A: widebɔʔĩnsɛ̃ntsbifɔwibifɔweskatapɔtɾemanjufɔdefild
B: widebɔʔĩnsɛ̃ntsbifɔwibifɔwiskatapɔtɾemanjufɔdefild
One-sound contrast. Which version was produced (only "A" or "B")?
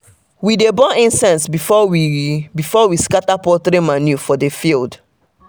B